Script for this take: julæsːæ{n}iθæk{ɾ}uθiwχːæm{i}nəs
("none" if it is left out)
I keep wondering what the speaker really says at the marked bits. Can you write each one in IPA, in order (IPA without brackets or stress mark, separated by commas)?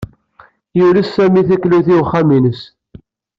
m, l, i